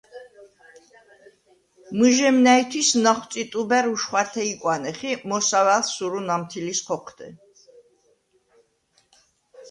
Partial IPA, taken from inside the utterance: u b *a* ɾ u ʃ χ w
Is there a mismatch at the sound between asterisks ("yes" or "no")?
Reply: yes